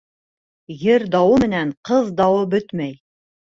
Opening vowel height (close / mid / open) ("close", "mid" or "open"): mid